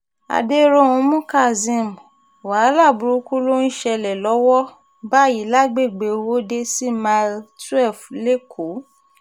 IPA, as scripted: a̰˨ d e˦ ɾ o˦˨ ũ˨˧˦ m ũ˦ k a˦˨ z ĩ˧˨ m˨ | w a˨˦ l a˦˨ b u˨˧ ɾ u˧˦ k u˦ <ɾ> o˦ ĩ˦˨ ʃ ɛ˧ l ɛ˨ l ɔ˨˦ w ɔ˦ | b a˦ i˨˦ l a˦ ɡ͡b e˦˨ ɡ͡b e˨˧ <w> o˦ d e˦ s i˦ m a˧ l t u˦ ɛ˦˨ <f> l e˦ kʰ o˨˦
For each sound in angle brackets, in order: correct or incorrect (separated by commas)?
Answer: incorrect, correct, correct